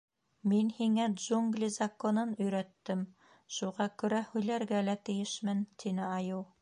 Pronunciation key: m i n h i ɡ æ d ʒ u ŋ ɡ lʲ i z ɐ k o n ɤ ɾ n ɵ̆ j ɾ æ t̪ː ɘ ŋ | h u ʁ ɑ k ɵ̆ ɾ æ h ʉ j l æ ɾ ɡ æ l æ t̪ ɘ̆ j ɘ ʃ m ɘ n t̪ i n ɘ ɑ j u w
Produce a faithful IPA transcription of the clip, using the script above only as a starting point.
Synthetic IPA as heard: m i n h i ŋ æ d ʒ u ŋ ɡ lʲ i z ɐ k o n ɤ n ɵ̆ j ɾ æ t̪ː ɘ m | ʃ u ʁ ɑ k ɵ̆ ɾ æ h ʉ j l æ ɾ ɡ æ l æ t̪ ɘ̆ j ɘ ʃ m ɘ n t̪ i n ɘ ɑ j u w